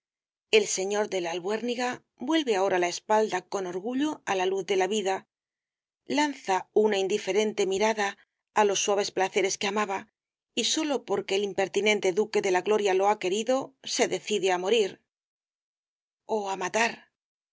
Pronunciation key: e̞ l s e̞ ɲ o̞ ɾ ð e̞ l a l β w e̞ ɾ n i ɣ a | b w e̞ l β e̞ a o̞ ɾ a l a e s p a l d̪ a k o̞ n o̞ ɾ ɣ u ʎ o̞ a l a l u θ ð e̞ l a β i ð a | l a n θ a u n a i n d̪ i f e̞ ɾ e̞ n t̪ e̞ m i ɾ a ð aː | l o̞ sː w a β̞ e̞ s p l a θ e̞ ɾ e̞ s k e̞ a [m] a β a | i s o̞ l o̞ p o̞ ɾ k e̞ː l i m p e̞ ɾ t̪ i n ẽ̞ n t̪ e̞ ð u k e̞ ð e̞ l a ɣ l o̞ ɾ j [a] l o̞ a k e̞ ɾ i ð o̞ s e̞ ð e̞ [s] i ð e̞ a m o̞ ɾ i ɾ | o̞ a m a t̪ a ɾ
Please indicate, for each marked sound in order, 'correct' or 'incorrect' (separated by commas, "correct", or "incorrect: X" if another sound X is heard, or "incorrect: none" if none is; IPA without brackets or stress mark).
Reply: correct, correct, incorrect: θ